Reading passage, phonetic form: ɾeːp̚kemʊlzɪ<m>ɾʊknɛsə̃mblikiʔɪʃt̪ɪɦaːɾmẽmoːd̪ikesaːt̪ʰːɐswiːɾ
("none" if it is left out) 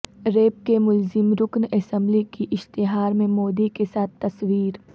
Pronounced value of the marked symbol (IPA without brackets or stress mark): m